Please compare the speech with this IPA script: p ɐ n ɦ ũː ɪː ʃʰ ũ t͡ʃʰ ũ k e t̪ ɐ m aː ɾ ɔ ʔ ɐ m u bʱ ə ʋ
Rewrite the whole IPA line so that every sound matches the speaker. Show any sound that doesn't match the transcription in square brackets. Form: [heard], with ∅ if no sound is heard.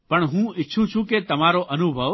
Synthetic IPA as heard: p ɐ [ɳ] ɦ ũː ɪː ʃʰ ũ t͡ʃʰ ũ k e t̪ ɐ m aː ɾ [o] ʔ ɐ [n] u bʱ ə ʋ